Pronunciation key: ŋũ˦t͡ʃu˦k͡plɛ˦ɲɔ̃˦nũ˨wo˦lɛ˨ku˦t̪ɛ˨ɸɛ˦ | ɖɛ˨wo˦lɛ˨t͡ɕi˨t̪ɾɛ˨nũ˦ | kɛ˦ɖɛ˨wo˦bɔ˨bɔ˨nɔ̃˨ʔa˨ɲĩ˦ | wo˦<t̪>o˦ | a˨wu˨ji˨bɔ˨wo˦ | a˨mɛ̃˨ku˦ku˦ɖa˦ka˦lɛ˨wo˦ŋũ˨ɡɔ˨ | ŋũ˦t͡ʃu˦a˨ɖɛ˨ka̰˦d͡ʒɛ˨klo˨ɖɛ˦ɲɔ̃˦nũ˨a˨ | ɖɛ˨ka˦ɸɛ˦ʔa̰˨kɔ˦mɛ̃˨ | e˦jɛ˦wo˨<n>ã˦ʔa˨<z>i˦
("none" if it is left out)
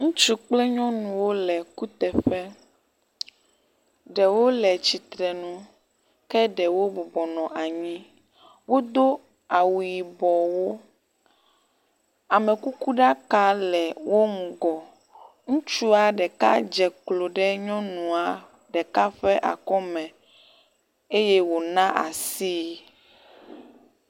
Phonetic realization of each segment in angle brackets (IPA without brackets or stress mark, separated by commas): d̪, n, s